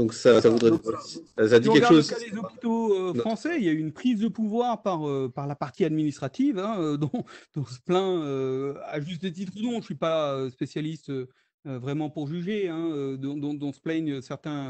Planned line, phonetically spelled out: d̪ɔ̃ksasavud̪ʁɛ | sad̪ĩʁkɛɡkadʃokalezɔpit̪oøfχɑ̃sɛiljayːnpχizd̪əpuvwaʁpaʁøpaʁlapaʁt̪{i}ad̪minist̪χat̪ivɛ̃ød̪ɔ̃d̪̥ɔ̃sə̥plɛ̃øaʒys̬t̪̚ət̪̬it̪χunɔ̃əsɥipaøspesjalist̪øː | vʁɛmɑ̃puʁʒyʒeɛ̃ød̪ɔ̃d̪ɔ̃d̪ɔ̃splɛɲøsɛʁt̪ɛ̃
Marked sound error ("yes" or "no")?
no